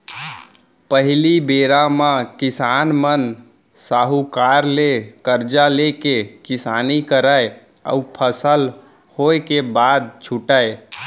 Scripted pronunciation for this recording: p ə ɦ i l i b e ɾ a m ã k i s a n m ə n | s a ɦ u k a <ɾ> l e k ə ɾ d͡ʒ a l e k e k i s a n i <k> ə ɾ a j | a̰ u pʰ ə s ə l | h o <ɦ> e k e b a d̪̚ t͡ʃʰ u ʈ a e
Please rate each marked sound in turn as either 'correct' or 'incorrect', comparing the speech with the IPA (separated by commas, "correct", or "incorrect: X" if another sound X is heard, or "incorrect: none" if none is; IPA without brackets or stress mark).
correct, correct, incorrect: none